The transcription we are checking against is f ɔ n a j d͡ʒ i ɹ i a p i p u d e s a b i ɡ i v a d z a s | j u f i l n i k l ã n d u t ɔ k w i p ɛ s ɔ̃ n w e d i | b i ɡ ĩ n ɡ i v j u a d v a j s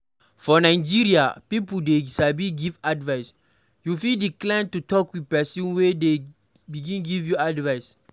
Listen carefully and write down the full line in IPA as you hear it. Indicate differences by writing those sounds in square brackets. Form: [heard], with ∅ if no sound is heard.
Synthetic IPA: f ɔ n a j d͡ʒ i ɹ i a p i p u d e s a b i ɡ i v a d [v] a s | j u f i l [d] i k l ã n [t] u t ɔ k w i p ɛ s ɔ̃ n w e d [e] | b i ɡ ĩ n ɡ i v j u a d v a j s